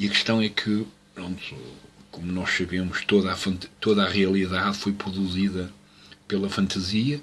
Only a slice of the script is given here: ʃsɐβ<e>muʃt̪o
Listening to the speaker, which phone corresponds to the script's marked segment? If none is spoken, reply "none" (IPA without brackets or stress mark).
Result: e